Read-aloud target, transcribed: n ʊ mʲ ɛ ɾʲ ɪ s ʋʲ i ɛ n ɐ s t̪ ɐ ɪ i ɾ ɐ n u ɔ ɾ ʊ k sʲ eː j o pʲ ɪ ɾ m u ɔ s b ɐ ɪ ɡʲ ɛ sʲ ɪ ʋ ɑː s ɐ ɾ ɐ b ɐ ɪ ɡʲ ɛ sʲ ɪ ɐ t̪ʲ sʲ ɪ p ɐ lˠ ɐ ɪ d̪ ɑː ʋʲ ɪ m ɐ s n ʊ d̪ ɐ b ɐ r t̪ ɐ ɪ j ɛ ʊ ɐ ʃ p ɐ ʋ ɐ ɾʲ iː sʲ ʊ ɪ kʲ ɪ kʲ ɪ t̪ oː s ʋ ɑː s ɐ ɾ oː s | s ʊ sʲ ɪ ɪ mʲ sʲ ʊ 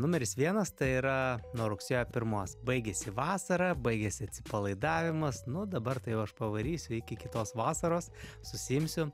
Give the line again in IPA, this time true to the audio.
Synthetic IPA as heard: n ʊ mʲ ɛ ɾʲ ɪ s ʋʲ i ɛ n ɐ s t̪ ɐ ɪ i ɾ ɐ n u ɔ ɾ ʊ k sʲ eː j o pʲ ɪ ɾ m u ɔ s b ɐ ɪ ɡʲ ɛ sʲ ɪ ʋ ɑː s ɐ ɾ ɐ b ɐ ɪ ɡʲ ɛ sʲ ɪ ɐ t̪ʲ sʲ ɪ p ɐ lˠ ɐ ɪ d̪ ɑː ʋʲ ɪ m ɐ s n ʊ d̪ ɐ b ɐ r t̪ ɐ ɪ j ɛ ʊ ɐ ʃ p ɐ ʋ ɐ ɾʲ iː sʲ ʊ ɪ kʲ ɪ kʲ ɪ t̪ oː s ʋ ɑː s ɐ ɾ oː s | s ʊ sʲ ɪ ɪ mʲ sʲ ʊ

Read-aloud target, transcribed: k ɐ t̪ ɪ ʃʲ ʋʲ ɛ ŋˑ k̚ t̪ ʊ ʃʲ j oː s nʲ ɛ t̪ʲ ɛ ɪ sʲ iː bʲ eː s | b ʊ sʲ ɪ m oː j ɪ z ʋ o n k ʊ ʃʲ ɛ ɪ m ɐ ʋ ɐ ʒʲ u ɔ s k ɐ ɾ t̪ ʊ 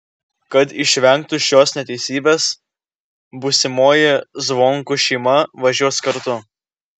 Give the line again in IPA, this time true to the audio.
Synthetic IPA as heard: k ɐ t̪ ɪ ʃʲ ʋʲ ɛ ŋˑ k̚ t̪ ʊ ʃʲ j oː s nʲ ɛ t̪ʲ ɛ ɪ sʲ iː bʲ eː s | b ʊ sʲ ɪ m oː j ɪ z ʋ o ŋ k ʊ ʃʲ ɛ ɪ m ɐ ʋ ɐ ʒʲ u ɔ s k ɐ ɾ t̪ ʊ

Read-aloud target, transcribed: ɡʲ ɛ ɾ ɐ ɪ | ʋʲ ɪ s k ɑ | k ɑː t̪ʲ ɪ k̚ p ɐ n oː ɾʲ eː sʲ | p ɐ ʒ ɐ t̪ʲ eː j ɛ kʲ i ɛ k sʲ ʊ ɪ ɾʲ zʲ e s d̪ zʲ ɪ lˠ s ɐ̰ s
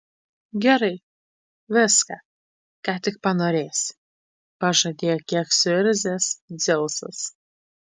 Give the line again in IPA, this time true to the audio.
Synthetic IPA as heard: ɡʲ ɛ ɾ ɐ ɪ | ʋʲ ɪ s k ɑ | k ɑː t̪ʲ ɪ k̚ p ɐ n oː ɾʲ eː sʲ | p ɐ ʒ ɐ d̪ʲ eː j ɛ kʲ i ɛ k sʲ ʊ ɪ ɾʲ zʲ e s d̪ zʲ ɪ lˠ s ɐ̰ s

